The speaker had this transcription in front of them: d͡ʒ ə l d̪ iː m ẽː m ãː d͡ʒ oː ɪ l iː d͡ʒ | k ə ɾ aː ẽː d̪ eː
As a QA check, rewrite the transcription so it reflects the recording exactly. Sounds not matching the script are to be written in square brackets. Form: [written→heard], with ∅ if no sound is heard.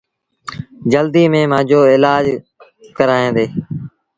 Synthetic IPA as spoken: d͡ʒ ə l d̪ iː m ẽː m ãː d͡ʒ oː ɪ l [iː→aː] d͡ʒ | k ə ɾ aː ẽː d̪ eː